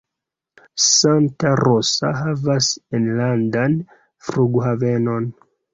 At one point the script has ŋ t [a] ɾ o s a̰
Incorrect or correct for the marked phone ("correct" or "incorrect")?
correct